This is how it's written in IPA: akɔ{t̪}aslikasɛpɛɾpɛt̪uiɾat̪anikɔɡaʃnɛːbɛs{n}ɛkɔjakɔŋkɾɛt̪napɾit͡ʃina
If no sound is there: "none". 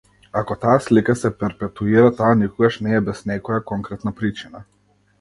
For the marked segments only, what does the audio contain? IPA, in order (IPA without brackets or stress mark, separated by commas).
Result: t̪, n